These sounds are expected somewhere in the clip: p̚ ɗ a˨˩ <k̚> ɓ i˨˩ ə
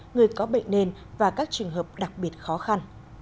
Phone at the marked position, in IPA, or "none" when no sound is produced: k̚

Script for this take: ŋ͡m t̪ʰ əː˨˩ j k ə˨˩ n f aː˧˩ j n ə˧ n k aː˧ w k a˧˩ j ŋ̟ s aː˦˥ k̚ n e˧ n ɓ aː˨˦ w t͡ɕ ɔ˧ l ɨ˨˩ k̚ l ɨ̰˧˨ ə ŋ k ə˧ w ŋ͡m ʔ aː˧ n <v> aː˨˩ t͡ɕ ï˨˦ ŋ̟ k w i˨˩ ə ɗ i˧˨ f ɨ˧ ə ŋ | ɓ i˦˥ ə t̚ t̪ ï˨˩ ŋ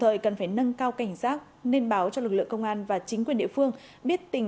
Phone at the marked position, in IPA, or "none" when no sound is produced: v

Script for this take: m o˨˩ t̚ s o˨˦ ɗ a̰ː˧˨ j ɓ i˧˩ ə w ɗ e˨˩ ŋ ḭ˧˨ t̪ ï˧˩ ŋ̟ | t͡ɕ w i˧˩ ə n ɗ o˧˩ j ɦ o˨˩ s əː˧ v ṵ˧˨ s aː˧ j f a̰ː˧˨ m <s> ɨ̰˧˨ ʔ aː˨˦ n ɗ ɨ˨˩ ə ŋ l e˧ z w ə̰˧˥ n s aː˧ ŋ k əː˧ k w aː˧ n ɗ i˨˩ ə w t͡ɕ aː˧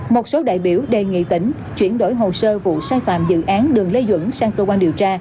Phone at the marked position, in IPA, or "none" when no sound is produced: z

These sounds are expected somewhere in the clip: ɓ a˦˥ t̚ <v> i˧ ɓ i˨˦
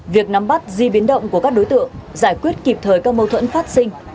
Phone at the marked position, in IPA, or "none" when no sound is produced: z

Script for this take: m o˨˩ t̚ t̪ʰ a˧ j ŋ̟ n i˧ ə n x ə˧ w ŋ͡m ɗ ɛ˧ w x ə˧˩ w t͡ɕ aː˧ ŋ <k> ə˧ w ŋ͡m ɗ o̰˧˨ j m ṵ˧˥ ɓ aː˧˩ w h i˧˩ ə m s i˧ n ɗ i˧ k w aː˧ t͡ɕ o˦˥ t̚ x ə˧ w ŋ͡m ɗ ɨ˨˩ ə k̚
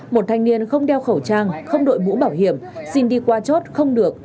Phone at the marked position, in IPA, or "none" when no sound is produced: x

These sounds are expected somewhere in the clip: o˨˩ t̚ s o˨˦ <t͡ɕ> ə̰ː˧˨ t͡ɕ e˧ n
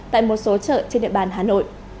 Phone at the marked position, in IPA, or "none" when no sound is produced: t͡ɕ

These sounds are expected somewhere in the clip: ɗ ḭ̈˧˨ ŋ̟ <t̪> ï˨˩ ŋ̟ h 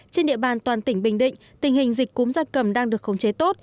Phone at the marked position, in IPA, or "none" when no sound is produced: t̪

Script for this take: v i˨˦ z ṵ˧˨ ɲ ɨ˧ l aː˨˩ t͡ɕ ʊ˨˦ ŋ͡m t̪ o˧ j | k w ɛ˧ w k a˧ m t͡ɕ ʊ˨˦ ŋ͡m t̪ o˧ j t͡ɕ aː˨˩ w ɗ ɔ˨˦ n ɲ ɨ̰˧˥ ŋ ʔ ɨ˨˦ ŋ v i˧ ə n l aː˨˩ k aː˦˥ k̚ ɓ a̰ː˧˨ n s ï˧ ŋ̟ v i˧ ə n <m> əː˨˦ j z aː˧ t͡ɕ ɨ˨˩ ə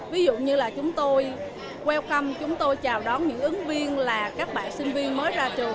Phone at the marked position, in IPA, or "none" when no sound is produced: m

